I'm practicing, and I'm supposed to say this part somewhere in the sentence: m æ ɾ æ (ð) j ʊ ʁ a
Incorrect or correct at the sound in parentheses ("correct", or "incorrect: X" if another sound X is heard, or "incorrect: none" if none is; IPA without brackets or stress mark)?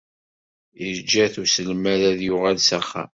correct